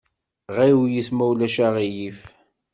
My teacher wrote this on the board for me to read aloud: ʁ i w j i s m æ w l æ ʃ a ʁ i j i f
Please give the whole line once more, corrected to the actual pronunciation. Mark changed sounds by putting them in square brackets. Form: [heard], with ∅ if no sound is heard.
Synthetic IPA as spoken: ʁ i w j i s m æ w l æ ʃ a ʁ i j i f